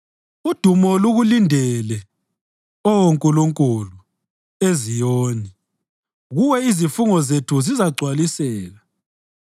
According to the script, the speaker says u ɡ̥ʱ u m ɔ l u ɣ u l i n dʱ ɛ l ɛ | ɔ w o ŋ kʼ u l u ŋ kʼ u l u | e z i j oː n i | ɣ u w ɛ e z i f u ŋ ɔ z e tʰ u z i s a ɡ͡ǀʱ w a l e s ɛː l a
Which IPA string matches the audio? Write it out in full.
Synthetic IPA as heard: u d̥ʱ u m ɔ l u ɣ u l i n dʱ ɛ l ɛ | ɔ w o ŋ kʼ u l u ŋ kʼ u l u | e z i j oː n i | ɣ u w ɛ i z i f u ŋ ɔ z e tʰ u z i z a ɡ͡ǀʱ w a l i s ɛː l a